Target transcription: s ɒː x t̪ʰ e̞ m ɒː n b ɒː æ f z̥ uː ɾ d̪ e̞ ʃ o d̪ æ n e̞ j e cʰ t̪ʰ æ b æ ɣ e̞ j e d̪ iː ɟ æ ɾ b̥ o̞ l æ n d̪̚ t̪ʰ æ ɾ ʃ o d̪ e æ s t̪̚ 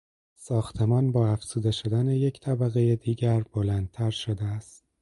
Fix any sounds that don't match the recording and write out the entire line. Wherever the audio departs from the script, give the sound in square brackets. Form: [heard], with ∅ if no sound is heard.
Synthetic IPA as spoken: s ɒː x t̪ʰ e̞ m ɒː n b ɒː æ f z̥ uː [∅] d̪ e̞ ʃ o d̪ æ n e̞ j e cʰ t̪ʰ æ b æ ɣ e̞ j e d̪ iː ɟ æ ɾ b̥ o̞ l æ n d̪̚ t̪ʰ æ ɾ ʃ o d̪ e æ s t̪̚